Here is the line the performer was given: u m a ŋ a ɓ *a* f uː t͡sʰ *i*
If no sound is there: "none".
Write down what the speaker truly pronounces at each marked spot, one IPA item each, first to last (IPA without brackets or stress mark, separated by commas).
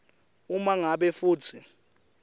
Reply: ɛ, i